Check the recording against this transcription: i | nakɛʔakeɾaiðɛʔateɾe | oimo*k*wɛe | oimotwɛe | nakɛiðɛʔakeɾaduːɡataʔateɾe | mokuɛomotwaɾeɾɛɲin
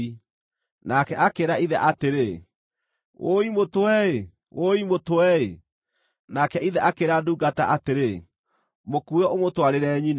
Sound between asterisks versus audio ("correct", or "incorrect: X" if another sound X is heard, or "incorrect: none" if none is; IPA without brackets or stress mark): incorrect: t